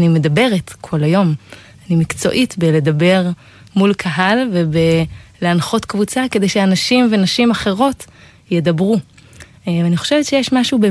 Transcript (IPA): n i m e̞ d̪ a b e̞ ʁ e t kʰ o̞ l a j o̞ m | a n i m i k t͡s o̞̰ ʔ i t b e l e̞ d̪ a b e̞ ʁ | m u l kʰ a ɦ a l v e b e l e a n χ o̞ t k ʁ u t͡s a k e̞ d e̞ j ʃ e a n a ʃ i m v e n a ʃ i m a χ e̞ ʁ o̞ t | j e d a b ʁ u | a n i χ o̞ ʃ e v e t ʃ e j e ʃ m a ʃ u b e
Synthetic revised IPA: n i m e̞ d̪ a b e̞ ʁ e t kʰ o̞ l a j o̞ m | a n i m i k t͡s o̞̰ ʔ i t b e l e̞ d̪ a b e̞ ʁ | m u l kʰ a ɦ a l v e b e l e a n χ o̞ t k v u t͡s a k e̞ d e̞ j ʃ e a n a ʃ i m v e n a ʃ i m a χ e̞ ʁ o̞ t | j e d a b ʁ u | a n i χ o̞ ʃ e v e t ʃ e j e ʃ m a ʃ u b e